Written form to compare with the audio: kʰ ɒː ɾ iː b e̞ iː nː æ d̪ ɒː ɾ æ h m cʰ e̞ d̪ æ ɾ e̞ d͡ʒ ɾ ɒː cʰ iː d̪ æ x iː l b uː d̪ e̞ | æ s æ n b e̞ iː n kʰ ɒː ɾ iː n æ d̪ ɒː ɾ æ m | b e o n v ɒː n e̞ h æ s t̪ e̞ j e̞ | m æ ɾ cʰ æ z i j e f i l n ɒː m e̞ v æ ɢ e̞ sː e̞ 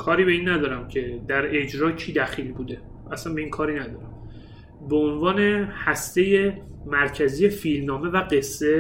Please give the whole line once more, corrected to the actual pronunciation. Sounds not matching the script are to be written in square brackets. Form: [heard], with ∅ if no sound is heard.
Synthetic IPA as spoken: kʰ ɒː ɾ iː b e̞ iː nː æ d̪ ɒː ɾ æ [∅] m cʰ e̞ d̪ æ ɾ e̞ d͡ʒ ɾ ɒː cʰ iː d̪ æ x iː l b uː d̪ e̞ | æ s æ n b e̞ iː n kʰ ɒː ɾ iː n æ d̪ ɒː ɾ æ m | b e o n v ɒː n e̞ h æ s t̪ e̞ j e̞ | m æ ɾ cʰ æ z i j e f i l n ɒː m e̞ v æ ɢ e̞ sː e̞